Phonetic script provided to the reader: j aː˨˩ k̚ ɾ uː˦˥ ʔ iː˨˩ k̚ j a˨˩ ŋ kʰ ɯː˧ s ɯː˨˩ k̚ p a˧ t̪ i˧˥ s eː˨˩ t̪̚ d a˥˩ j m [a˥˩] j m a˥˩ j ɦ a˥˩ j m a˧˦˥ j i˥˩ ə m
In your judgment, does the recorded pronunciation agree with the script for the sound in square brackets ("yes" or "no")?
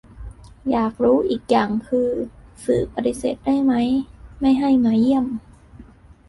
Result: no